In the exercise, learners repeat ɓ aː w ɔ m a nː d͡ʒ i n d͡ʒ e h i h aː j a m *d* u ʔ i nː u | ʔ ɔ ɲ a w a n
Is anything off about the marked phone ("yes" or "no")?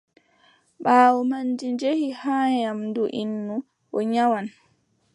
no